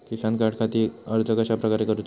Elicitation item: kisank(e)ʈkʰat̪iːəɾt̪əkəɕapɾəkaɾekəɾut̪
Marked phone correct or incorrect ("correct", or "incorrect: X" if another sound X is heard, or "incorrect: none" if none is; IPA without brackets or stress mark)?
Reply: incorrect: a